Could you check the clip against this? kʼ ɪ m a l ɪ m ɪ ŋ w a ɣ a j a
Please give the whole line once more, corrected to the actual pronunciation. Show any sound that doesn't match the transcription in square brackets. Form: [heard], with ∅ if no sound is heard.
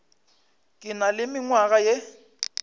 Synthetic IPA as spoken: kʼ ɪ [n] a l ɪ m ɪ ŋ w a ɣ a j [e]